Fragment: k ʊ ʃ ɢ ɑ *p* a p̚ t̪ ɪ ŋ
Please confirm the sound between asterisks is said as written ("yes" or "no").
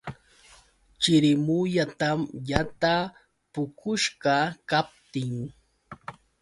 no